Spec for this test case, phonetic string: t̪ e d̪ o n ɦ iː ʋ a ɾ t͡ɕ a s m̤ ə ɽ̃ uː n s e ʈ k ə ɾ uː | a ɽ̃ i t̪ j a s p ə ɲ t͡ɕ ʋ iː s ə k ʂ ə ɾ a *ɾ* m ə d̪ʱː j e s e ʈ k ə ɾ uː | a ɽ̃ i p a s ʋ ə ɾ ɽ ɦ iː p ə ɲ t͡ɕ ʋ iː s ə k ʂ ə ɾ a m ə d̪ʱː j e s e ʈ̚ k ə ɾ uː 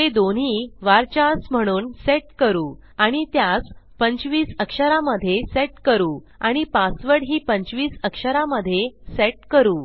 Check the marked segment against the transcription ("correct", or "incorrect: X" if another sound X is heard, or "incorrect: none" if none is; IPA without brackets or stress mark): incorrect: none